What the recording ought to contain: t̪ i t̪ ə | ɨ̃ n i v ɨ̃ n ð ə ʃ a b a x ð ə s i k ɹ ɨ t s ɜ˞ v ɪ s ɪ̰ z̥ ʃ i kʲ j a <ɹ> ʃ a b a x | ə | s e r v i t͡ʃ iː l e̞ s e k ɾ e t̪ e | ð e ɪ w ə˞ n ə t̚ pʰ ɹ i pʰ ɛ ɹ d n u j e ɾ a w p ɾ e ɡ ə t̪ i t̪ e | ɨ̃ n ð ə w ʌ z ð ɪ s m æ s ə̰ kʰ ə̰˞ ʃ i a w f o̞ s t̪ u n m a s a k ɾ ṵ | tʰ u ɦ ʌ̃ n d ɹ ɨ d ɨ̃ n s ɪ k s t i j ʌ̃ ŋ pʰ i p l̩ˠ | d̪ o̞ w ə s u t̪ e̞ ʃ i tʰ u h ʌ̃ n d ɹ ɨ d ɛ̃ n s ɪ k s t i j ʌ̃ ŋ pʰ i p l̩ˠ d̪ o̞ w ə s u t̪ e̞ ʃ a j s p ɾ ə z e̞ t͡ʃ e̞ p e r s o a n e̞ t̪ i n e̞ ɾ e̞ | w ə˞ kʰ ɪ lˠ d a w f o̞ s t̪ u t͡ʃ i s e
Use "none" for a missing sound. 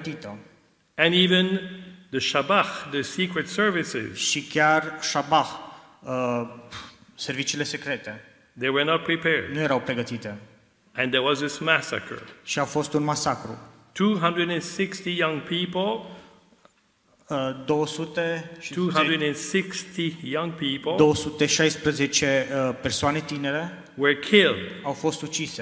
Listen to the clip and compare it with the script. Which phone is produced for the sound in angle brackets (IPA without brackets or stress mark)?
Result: r